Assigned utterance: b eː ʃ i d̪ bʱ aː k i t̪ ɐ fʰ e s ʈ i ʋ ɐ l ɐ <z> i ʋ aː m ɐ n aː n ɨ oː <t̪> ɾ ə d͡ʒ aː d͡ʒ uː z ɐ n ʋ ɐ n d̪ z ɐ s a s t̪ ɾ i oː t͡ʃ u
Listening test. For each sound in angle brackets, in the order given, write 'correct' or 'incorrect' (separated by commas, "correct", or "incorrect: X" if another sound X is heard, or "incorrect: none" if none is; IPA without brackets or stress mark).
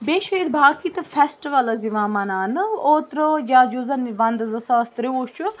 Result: correct, correct